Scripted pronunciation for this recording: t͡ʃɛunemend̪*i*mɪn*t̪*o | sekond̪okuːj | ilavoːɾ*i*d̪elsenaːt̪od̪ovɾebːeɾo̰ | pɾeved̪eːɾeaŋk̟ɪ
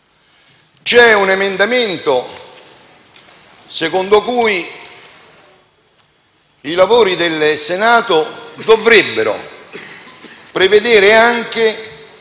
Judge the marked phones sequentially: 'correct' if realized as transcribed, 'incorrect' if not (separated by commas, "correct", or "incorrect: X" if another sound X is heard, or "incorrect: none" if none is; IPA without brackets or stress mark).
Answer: incorrect: a, correct, correct